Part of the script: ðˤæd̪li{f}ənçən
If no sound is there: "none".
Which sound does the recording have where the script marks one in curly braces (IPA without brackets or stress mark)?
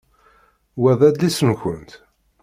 s